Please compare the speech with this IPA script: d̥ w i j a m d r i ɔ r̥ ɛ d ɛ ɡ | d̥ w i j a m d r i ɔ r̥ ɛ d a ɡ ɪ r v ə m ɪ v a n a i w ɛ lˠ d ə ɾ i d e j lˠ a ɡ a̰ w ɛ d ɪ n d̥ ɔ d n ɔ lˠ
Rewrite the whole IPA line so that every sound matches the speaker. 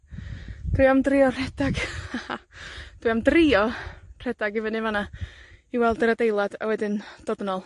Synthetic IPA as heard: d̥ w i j a m d r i ɔ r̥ ɛ d a ɡ | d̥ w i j a m d r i ɔ r̥ ɛ d a ɡ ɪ v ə n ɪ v a n a i w ɛ lˠ d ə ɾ a d e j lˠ a d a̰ w ɛ d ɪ n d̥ ɔ d n ɔ lˠ